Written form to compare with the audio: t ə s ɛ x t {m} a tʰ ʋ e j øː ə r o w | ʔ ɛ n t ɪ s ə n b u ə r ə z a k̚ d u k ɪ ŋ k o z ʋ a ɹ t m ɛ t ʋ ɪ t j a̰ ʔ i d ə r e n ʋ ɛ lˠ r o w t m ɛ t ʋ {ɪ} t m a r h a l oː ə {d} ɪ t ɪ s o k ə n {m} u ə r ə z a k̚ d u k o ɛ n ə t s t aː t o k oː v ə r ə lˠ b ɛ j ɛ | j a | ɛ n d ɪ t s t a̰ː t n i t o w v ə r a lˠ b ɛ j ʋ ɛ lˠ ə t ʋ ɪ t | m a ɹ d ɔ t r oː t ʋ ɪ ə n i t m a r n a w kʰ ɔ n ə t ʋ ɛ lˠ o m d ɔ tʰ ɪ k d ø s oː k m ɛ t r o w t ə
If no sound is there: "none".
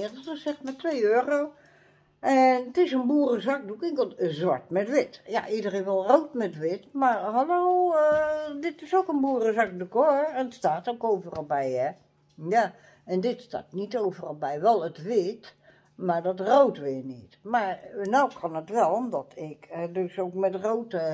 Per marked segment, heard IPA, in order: m, ɪ, d, b

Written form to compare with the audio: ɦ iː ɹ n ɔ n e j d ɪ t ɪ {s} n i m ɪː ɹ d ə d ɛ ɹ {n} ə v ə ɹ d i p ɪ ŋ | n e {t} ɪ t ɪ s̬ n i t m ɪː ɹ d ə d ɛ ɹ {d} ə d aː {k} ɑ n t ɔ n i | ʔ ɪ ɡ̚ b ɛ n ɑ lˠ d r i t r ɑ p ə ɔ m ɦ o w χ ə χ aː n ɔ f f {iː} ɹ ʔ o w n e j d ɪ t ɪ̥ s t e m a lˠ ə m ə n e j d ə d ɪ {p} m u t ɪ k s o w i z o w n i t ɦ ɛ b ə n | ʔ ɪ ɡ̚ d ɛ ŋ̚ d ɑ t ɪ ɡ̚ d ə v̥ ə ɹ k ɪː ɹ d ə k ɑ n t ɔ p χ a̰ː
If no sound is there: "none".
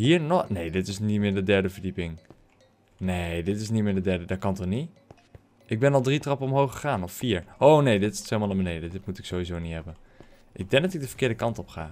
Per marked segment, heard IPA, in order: s, d, d, d, k, iː, t

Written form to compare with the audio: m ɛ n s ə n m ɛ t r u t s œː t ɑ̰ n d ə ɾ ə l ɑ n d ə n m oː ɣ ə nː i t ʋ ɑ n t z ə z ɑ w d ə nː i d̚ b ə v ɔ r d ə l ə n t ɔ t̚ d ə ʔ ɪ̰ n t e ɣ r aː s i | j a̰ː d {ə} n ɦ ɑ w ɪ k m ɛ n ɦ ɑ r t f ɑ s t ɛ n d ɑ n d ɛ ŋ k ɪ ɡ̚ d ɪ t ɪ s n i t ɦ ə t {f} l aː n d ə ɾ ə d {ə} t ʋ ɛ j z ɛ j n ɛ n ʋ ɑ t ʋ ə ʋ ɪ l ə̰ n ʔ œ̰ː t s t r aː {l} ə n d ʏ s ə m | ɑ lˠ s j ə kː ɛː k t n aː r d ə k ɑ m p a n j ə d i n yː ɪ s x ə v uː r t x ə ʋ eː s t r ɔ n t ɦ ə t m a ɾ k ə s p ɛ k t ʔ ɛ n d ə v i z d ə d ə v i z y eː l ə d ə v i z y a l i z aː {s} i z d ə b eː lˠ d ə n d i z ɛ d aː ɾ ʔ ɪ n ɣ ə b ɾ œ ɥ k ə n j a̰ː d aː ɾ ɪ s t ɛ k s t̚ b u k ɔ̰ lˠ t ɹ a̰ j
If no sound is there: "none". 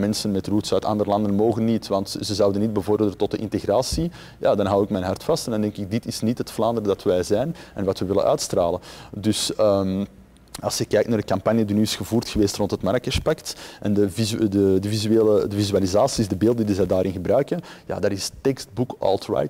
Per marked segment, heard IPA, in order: ɑ, f, ɑ, l, s

